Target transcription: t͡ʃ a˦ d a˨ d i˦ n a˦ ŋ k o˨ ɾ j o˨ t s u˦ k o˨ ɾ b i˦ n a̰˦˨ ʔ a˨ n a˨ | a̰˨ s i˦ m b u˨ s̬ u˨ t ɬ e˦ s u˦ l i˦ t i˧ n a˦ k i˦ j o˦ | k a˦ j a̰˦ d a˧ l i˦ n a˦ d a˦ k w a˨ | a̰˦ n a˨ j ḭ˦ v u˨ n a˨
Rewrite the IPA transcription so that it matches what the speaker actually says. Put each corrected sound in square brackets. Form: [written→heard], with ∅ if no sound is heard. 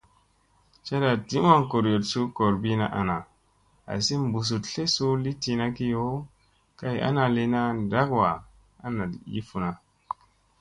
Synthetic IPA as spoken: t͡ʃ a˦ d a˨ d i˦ [n→m] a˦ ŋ k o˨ ɾ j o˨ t s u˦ k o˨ ɾ b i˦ n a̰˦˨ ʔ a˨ n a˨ | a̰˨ s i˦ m b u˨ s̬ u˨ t ɬ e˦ s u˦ l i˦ t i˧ n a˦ k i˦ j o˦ | k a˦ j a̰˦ [d→n] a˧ l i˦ n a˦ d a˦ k w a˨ | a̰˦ n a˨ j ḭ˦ [v→f] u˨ n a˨